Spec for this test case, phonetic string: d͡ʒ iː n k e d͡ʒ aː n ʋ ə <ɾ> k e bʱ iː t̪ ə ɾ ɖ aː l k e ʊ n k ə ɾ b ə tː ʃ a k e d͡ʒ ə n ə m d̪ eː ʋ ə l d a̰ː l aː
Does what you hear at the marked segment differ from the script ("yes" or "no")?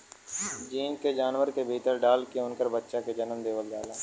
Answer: no